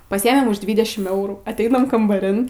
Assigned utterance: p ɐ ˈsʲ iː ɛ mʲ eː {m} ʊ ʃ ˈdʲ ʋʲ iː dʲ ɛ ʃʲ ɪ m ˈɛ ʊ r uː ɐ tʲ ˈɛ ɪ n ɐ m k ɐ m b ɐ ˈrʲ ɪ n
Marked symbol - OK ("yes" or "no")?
yes